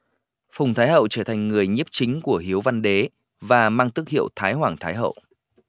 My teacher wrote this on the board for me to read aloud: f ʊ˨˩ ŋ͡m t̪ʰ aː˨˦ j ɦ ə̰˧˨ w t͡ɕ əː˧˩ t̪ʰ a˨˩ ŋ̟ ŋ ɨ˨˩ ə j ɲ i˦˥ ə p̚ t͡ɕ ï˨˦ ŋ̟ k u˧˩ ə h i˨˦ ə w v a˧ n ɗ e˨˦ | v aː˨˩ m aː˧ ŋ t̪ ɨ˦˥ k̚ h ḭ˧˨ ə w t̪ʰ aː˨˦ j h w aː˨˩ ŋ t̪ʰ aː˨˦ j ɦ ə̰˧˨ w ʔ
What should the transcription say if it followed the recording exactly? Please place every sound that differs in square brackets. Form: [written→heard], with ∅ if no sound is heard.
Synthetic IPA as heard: f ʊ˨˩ ŋ͡m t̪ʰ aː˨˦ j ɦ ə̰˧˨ w t͡ɕ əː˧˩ t̪ʰ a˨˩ ŋ̟ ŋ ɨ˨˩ ə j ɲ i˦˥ ə p̚ t͡ɕ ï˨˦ ŋ̟ k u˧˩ ə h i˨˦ ə w v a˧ n ɗ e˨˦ | v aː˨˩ m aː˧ ŋ t̪ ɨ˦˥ k̚ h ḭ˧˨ ə w t̪ʰ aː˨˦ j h w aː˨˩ ŋ t̪ʰ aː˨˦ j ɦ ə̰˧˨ w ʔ